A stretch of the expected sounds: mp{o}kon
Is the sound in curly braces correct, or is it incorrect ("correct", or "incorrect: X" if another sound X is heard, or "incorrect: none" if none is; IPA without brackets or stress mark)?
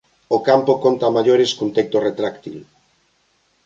correct